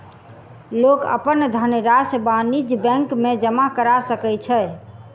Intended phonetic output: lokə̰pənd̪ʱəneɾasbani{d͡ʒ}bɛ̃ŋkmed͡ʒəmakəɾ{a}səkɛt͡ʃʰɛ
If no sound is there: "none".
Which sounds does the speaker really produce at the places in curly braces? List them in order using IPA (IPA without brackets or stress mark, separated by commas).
d͡ʒ, a